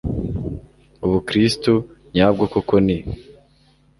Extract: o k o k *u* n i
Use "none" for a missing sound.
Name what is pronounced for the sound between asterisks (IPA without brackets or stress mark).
o